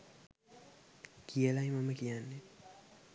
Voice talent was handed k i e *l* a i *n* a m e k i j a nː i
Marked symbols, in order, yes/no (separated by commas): yes, no